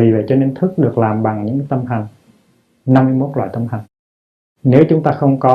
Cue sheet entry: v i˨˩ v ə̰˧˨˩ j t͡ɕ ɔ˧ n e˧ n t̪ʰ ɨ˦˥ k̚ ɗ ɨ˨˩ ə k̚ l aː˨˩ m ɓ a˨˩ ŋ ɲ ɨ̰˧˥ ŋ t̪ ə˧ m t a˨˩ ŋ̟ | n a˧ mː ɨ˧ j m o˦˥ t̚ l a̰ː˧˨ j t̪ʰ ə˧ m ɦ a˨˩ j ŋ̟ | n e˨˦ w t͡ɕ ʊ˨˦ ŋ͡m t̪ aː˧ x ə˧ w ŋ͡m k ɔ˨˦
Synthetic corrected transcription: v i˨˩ v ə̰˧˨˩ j t͡ɕ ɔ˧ n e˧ n t̪ʰ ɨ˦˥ k̚ ɗ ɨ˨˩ ə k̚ l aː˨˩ m ɓ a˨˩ ŋ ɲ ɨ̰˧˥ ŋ t̪ ə˧ m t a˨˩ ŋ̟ | n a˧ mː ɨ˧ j m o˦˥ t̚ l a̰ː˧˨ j t̪ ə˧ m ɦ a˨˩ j ŋ̟ | n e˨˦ w t͡ɕ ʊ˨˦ ŋ͡m t̪ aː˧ x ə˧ w ŋ͡m k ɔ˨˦